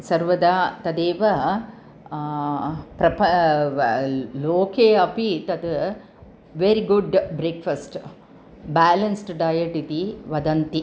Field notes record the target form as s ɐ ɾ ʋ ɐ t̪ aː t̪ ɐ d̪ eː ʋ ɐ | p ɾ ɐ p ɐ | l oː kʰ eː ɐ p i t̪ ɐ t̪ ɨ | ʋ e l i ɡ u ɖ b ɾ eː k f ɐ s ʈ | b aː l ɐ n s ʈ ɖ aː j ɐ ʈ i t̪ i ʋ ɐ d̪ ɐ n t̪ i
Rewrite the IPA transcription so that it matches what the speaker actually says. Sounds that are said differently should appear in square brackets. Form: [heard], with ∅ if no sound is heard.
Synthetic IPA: s ɐ ɾ ʋ ɐ [d̪] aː t̪ ɐ d̪ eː ʋ ɐ | p ɾ ɐ p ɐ | l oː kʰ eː ɐ p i t̪ ɐ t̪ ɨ | ʋ e [ɾ] i ɡ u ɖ b ɾ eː k f ɐ s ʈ | b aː l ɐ n s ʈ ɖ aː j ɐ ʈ i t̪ i ʋ ɐ d̪ ɐ n t̪ i

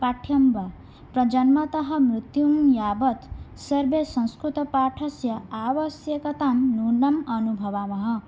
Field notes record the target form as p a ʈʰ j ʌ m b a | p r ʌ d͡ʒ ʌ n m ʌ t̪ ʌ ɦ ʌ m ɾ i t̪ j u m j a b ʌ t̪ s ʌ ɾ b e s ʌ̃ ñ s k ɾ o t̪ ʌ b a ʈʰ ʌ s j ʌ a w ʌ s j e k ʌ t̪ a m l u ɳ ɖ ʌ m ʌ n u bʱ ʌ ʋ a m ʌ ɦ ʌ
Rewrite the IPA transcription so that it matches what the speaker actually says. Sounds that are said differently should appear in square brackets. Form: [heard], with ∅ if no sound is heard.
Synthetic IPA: p a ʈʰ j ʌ m b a | p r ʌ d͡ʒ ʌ n m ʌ t̪ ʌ ɦ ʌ m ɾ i t̪ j u m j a b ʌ t̪ s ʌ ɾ b e s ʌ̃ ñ s k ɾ [u] t̪ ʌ [p] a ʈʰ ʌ s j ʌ a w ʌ s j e k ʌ t̪ a m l u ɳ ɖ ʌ m ʌ n u bʱ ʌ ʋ a m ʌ ɦ ʌ

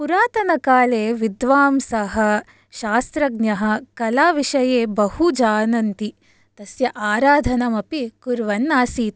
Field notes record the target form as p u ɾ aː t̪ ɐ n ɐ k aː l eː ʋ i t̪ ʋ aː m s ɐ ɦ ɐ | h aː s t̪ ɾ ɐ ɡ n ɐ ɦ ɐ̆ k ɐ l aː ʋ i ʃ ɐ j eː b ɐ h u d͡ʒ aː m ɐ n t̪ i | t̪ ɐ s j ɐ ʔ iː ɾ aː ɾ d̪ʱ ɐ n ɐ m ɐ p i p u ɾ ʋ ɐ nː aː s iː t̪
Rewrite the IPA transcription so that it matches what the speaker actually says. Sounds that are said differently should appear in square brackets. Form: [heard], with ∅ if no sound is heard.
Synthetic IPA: p u ɾ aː t̪ ɐ n ɐ k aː l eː ʋ i [d̪] ʋ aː m s ɐ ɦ ɐ | [ʃ] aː s t̪ ɾ ɐ ɡ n ɐ ɦ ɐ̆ k ɐ l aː ʋ i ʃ ɐ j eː b ɐ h u d͡ʒ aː [n] ɐ n t̪ i | t̪ ɐ s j ɐ ʔ [aː] ɾ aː [∅] d̪ʱ ɐ n ɐ m ɐ p i [k] u ɾ ʋ ɐ nː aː s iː t̪

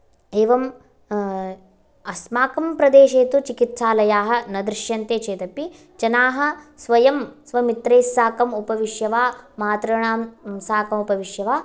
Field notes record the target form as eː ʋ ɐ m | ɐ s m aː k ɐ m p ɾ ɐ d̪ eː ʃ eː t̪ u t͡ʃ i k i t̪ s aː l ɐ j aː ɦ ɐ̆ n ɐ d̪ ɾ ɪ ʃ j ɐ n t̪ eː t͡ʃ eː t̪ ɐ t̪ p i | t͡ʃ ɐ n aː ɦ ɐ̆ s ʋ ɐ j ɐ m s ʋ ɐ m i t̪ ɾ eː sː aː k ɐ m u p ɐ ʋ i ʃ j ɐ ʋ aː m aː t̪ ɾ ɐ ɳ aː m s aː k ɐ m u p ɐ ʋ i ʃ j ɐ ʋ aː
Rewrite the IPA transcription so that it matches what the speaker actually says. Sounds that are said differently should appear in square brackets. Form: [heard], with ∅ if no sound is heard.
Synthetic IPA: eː ʋ ɐ m | ɐ s m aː k ɐ m p ɾ ɐ d̪ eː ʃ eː t̪ u t͡ʃ i k i t̪ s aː l ɐ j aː ɦ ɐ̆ n ɐ d̪ ɾ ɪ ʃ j ɐ n t̪ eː t͡ʃ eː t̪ ɐ [∅] p i | t͡ʃ ɐ n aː ɦ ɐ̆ s ʋ ɐ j ɐ m s ʋ ɐ m i t̪ ɾ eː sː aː k ɐ m u p ɐ ʋ i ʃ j ɐ ʋ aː m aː t̪ ɾ ɐ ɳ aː m s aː k ɐ m u p ɐ ʋ i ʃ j ɐ ʋ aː

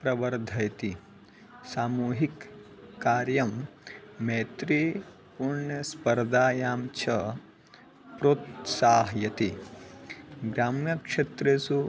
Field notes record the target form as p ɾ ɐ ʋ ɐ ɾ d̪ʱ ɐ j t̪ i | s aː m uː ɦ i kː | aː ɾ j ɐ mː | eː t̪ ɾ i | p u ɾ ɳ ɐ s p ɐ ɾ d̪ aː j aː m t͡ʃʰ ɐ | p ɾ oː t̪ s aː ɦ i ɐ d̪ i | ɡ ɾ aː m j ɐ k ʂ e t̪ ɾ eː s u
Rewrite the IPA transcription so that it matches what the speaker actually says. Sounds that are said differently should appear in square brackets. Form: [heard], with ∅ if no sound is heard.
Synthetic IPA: p ɾ ɐ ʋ ɐ ɾ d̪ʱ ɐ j t̪ i | s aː m uː ɦ i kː | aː ɾ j ɐ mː | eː t̪ ɾ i | p u ɾ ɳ ɐ s p ɐ ɾ d̪ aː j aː m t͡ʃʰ ɐ | p ɾ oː t̪ s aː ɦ [j] ɐ [t̪] i | ɡ ɾ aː m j ɐ k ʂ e t̪ ɾ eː s u

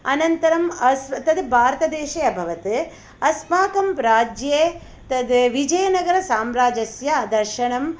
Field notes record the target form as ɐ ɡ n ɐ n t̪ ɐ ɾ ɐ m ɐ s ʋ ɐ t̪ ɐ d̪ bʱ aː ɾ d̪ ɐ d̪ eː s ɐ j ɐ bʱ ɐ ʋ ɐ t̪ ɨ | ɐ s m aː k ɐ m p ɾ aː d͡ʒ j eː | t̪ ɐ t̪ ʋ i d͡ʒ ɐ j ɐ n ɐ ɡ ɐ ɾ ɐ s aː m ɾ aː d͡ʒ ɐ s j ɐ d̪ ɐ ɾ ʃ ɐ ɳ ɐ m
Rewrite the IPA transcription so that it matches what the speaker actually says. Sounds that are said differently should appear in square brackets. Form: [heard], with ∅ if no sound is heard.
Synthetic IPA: ɐ [∅] n ɐ n t̪ ɐ ɾ ɐ m ɐ s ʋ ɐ t̪ ɐ d̪ bʱ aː ɾ [t̪] ɐ d̪ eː [ʃ] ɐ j ɐ bʱ ɐ ʋ ɐ t̪ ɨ | ɐ s m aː k ɐ m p ɾ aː d͡ʒ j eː | t̪ ɐ [d̪] ʋ i d͡ʒ ɐ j ɐ n ɐ ɡ ɐ ɾ ɐ s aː m ɾ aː d͡ʒ ɐ s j ɐ d̪ ɐ ɾ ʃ ɐ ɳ ɐ m

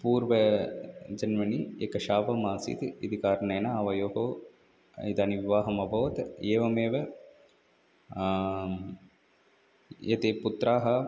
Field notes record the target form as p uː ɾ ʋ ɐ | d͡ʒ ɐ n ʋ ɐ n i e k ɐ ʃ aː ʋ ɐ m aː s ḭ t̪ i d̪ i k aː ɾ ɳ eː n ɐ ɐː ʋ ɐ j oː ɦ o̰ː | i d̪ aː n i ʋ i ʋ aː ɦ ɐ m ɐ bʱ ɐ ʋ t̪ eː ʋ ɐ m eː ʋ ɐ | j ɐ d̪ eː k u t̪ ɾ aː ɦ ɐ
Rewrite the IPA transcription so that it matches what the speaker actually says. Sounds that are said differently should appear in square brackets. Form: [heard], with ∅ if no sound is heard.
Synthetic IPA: p uː ɾ ʋ ɐ | d͡ʒ ɐ n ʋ ɐ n i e k ɐ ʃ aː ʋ ɐ m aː s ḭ t̪ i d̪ i k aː ɾ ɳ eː n ɐ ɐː ʋ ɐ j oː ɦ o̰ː | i d̪ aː n i ʋ i ʋ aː ɦ ɐ m ɐ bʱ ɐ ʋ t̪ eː ʋ ɐ m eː ʋ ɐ | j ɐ [t̪] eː [p] u t̪ ɾ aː ɦ ɐ

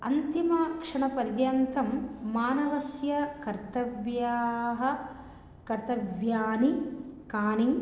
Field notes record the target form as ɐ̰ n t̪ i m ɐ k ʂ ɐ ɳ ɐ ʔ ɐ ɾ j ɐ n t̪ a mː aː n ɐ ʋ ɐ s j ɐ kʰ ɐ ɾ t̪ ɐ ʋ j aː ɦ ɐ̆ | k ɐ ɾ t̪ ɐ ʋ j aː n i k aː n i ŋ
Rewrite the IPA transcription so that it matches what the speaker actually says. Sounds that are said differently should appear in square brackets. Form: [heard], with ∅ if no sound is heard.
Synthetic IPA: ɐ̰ n t̪ i m ɐ k ʂ ɐ ɳ ɐ [p] ɐ ɾ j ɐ n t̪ [ɐ] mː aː n ɐ ʋ ɐ s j ɐ [k] ɐ ɾ t̪ ɐ ʋ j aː ɦ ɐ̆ | k ɐ ɾ t̪ ɐ ʋ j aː n i k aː n i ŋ

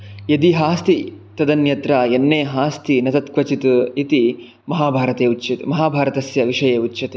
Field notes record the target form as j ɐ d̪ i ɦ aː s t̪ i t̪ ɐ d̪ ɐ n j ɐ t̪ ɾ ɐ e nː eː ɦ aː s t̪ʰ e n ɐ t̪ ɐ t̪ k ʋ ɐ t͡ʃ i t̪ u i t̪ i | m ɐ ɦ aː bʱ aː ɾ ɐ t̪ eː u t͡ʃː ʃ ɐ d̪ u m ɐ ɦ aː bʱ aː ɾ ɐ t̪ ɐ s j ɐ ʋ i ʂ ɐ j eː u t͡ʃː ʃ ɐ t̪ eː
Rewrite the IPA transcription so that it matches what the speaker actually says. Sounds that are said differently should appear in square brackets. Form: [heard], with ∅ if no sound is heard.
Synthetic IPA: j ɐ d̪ i ɦ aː s t̪ i t̪ ɐ d̪ ɐ n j ɐ t̪ ɾ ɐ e nː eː ɦ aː s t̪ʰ [i] n ɐ t̪ ɐ t̪ k ʋ ɐ t͡ʃ i t̪ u i t̪ i | m ɐ ɦ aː bʱ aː ɾ ɐ t̪ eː u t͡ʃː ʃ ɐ [t̪] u m ɐ ɦ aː bʱ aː ɾ ɐ t̪ ɐ s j ɐ ʋ i ʂ ɐ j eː u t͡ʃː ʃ ɐ t̪ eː

